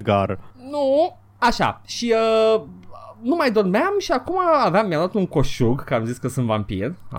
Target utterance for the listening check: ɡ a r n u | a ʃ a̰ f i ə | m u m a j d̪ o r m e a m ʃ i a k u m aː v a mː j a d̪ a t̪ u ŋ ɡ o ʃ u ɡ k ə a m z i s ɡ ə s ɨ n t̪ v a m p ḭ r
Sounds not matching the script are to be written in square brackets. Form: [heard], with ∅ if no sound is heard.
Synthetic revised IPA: ɡ a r n u | a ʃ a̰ [ʃ] i ə | [n] u m a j d̪ o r m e a m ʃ i a k u m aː v a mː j a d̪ a t̪ u ŋ [k] o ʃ u ɡ k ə a m z i s [k] ə s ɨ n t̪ v a m p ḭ r